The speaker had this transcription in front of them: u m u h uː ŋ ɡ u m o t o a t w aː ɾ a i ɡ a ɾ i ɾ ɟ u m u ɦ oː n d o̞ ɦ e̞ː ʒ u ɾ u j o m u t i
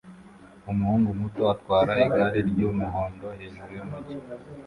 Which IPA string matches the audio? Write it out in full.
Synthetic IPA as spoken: u m u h uː ŋ ɡ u m u t o a t w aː ɾ a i ɡ a ɾ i ɾ ɟ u m u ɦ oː n d o̞ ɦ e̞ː ʒ u ɾ u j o m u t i